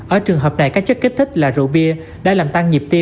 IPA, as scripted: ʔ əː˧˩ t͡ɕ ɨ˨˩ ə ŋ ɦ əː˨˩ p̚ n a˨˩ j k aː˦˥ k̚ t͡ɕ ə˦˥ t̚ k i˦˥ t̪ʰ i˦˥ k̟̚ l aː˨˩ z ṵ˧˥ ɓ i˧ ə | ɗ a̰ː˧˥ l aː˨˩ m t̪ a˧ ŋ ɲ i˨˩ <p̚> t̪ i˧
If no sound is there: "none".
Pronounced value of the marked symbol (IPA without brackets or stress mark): p̚